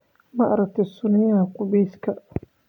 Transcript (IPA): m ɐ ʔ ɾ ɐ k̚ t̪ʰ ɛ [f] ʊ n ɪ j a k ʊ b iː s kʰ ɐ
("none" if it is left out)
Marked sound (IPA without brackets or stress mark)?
s